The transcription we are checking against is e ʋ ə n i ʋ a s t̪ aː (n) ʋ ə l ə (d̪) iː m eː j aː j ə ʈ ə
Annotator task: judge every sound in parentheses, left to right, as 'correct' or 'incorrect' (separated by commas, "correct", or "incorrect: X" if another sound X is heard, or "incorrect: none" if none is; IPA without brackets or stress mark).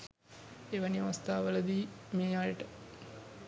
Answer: incorrect: none, correct